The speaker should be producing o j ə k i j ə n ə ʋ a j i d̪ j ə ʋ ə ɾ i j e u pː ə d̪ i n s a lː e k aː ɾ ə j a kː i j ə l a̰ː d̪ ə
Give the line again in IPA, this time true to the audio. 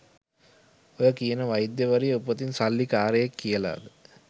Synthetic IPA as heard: o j ə k i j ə n ə ʋ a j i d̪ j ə ʋ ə ɾ i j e u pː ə t̪ i n s a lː i k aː ɾ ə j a kː i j ə l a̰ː d̪ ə